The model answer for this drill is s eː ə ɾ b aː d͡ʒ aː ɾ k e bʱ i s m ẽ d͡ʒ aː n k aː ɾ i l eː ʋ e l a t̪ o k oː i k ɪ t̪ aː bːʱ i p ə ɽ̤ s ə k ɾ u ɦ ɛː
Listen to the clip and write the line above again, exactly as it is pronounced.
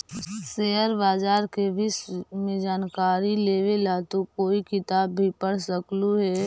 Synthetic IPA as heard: s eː ə ɾ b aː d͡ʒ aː ɾ k e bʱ i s m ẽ d͡ʒ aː n k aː ɾ i l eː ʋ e l a t̪ o k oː i k ɪ t̪ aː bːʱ i p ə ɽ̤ s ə k l u ɦ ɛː

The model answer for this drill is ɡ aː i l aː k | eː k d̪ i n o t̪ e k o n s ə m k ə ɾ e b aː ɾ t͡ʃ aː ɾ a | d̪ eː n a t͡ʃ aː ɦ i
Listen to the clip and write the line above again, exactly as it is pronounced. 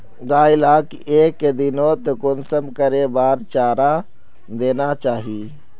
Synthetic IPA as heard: ɡ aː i l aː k | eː k d̪ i n o t̪ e k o n s ə m k ə ɾ e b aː ɾ t͡ʃ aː ɾ a | d̪ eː n a t͡ʃ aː ɦ i

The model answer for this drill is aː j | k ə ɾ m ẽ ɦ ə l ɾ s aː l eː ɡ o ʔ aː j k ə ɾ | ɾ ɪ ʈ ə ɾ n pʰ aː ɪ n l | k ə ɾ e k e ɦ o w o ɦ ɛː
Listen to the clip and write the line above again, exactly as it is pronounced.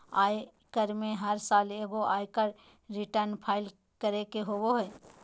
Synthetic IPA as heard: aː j | k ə ɾ m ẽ ɦ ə ɾ s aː l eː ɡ o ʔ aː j k ə ɾ | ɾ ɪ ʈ ə ɾ n pʰ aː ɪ l | k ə ɾ e k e ɦ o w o ɦ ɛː

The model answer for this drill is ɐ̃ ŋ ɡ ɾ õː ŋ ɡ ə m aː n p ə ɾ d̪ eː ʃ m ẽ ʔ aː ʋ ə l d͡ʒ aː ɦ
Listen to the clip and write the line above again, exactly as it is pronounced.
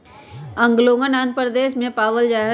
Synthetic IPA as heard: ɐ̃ ŋ ɡ l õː ŋ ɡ ə n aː n p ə ɾ d̪ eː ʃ m ẽ p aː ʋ ə l d͡ʒ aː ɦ

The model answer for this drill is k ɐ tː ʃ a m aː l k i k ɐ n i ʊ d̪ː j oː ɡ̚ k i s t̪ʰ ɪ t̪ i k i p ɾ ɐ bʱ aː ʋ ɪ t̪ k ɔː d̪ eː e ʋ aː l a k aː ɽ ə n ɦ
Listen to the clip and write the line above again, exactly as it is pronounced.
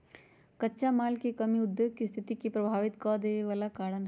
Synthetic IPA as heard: k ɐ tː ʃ a m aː l k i k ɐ m i ʊ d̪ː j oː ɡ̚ k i s t̪ʰ ɪ t̪ i k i p ɾ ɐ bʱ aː ʋ ɪ t̪ k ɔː d̪ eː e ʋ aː l a k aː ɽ ə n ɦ

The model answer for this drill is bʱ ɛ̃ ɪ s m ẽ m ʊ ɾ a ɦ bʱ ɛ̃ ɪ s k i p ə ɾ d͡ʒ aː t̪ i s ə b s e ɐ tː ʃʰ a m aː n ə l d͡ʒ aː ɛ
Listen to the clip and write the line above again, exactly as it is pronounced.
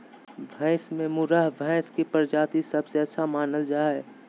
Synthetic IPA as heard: bʱ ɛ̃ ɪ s m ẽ m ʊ ɾ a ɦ bʱ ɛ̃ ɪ s k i p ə ɾ d͡ʒ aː t̪ i s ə b s e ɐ tː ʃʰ a m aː n ə l d͡ʒ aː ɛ

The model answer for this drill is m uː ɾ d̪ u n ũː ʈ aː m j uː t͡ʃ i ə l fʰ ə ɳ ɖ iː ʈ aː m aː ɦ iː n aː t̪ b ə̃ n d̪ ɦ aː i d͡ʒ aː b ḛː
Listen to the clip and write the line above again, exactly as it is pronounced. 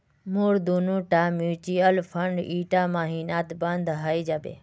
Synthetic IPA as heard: m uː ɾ d̪ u n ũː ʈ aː m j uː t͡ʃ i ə l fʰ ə ɳ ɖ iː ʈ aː m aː ɦ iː n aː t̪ b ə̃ n d̪ ɦ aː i d͡ʒ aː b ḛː

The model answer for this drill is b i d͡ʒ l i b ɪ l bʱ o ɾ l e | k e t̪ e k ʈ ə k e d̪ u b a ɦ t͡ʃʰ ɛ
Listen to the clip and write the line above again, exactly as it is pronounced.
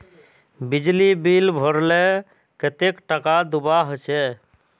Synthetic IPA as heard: b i d͡ʒ l i b i l bʱ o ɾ l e | k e t̪ e k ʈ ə k a d̪ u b a ɦ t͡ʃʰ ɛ

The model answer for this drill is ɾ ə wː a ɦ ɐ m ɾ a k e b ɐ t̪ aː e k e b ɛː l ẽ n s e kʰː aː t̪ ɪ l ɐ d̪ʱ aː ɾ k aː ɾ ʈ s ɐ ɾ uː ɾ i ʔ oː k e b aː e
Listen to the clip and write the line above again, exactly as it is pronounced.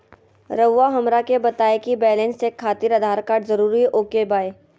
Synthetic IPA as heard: ɾ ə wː a ɦ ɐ m ɾ a k e b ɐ t̪ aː e k i b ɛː l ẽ n s e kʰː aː t̪ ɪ ɾ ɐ d̪ʱ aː ɾ k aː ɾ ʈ z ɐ ɾ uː ɾ i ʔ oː k e b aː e

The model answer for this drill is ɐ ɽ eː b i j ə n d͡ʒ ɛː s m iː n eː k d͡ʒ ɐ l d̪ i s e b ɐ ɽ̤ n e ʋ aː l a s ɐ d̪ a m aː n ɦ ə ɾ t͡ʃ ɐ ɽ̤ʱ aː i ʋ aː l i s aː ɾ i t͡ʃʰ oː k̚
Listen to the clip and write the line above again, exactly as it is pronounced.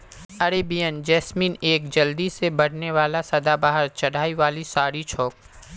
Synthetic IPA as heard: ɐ ɾ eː b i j ə n d͡ʒ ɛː s m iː n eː k d͡ʒ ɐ l d̪ i s e b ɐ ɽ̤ n e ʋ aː l a s ɐ d̪ a b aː ɦ ə ɾ t͡ʃ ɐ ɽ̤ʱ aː i ʋ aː l i s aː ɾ i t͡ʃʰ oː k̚

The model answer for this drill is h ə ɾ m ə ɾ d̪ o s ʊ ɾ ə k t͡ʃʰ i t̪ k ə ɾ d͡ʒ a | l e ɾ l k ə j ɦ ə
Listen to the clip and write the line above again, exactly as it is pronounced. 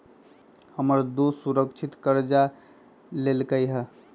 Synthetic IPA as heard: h ə m ə ɾ d̪ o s u ɾ ə k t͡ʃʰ i t̪ k ə ɾ d͡ʒ a | l e l k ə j ɦ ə

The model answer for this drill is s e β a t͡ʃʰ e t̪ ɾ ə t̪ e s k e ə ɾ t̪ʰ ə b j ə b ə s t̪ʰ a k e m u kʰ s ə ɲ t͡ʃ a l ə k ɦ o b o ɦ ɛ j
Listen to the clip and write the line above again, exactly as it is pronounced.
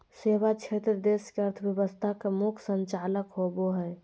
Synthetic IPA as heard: s e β a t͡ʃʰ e t̪ ɾ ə d̪ e s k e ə ɾ t̪ʰ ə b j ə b ə s t̪ʰ a k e m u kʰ s ə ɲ t͡ʃ a l ə k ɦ o b o ɦ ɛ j

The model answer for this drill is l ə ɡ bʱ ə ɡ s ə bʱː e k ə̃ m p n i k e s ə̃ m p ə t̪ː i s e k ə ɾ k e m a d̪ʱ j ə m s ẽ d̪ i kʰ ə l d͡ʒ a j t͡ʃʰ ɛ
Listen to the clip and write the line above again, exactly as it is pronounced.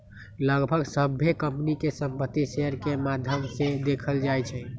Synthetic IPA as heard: l ə ɡ bʱ ə ɡ s ə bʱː e k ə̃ m p n i k e s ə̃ m p ə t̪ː i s e ə ɾ k e m a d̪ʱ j ə m s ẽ d̪ e kʰ ə l d͡ʒ a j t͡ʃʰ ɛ

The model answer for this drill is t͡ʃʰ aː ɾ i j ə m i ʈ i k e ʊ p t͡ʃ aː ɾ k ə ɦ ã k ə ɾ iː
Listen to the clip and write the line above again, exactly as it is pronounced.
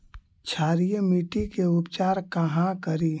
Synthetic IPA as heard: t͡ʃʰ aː ɾ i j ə m i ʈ i k e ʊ p t͡ʃ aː ɾ k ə ɦ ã k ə ɾ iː

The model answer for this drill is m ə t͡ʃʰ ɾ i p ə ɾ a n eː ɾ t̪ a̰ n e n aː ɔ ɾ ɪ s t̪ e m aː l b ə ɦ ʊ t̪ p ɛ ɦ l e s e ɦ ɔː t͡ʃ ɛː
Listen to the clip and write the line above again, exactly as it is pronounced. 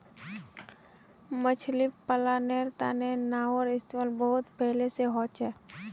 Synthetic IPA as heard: m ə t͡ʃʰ l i p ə l a n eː ɾ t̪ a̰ n e n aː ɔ ɾ ɪ s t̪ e m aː l b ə ɦ ʊ t̪ p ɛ ɦ l e s e ɦ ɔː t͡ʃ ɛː

